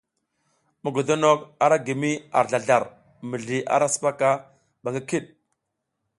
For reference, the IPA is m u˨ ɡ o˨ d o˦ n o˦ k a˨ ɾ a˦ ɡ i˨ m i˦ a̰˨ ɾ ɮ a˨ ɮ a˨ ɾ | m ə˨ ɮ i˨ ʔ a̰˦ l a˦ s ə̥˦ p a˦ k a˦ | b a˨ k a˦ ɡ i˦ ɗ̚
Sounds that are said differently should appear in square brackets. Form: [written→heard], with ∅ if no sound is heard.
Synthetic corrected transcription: m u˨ ɡ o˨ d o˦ n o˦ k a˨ ɾ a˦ ɡ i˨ m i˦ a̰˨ ɾ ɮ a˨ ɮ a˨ ɾ | m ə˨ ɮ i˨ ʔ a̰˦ [l→ɾ] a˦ s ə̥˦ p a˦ k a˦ | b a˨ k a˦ [ɡ→k] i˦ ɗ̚